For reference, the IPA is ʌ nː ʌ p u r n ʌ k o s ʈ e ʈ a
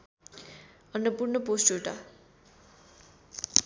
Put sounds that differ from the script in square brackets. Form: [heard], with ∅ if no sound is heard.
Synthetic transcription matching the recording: ʌ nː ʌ p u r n ʌ [p] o s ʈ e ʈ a